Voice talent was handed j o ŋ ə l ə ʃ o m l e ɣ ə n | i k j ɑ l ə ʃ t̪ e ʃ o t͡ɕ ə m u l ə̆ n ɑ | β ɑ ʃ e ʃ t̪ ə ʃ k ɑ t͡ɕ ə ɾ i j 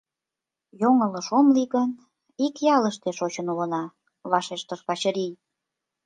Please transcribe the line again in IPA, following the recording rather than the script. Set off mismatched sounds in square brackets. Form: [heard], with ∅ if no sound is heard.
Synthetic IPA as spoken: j o ŋ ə l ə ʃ o m l [i] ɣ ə n | i k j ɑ l ə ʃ t̪ e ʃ o t͡ɕ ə [n] u l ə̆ n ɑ | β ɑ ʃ e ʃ t̪ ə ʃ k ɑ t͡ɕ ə ɾ i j